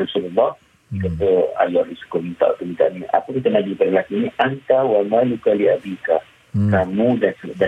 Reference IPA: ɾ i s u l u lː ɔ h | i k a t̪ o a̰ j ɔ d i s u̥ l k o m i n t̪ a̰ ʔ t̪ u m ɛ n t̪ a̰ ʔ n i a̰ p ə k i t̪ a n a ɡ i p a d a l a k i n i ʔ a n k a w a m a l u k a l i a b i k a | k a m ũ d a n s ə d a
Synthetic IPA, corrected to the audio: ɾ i s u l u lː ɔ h | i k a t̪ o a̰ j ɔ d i s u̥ k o m i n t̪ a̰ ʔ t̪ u m i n t̪ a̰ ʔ n i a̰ p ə k i t̪ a n a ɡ i p a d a l a k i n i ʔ a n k a w a m a l u k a l i a b i k a | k a m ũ d a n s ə d a